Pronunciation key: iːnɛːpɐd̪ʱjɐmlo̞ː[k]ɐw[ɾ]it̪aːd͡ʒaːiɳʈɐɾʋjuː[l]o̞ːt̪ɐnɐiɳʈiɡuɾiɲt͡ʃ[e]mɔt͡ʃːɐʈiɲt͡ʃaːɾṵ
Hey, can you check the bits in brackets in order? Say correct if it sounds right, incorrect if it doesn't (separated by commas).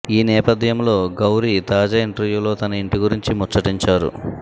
incorrect, correct, correct, incorrect